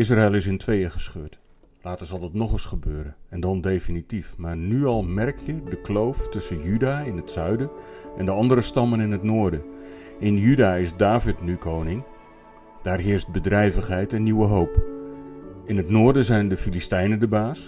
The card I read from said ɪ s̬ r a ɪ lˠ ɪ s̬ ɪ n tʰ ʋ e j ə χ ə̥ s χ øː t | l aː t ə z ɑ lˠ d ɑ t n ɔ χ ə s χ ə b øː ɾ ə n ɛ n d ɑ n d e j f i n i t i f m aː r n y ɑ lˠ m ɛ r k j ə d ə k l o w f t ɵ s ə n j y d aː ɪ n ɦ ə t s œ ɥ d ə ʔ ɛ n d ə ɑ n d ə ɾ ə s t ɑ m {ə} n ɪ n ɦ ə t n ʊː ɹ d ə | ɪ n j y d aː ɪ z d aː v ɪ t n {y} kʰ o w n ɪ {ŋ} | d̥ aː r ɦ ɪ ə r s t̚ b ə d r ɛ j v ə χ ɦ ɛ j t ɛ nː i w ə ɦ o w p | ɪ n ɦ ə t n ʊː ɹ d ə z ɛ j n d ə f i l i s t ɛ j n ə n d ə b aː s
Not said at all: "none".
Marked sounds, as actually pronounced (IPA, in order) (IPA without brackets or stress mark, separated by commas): ə, y, ŋ